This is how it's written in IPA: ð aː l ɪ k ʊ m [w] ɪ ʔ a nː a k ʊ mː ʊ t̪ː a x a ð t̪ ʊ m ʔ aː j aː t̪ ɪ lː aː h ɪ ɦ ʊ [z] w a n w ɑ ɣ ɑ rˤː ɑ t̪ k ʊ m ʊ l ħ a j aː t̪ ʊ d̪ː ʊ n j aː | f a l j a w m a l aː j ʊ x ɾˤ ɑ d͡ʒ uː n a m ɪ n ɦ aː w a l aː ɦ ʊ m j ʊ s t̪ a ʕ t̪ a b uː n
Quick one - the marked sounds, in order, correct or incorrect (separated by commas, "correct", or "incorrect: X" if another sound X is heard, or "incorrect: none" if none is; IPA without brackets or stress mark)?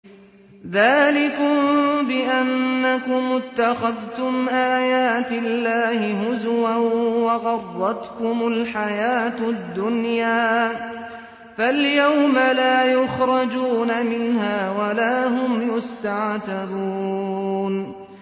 incorrect: b, correct